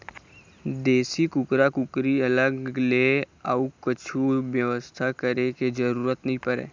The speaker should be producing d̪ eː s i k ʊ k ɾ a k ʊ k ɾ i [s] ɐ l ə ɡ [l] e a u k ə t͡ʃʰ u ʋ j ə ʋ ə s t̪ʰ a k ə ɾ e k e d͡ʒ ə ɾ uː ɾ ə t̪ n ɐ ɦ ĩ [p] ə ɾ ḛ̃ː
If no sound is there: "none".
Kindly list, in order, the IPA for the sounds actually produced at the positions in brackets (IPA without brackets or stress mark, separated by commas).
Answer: none, l, p